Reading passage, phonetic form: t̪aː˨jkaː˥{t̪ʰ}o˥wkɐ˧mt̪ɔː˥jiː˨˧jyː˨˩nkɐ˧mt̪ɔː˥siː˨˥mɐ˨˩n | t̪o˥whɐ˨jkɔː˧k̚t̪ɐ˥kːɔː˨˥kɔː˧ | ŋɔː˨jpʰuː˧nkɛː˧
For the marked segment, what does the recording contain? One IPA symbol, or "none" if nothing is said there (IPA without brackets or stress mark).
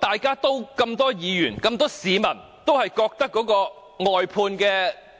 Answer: t̪